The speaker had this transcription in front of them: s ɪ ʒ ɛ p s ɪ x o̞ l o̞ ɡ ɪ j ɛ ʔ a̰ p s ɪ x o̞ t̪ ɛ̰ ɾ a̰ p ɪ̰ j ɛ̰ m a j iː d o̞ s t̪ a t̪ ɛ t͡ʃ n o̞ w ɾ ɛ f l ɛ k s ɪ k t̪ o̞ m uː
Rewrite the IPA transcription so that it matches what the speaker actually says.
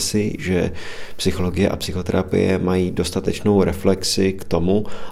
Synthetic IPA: s ɪ ʒ ɛ p s ɪ x o̞ l o̞ ɡ ɪ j ɛ ʔ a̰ p s ɪ x o̞ t̪ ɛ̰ ɾ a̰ p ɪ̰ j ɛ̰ m a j iː d o̞ s t̪ a t̪ ɛ t͡ʃ n o̞ w ɾ ɛ f l ɛ k s ɪ k t̪ o̞ m u